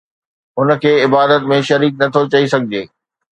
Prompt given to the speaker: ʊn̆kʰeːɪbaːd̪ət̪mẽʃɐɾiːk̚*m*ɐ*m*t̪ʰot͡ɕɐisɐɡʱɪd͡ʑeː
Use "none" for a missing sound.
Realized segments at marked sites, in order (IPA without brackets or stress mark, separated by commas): n, none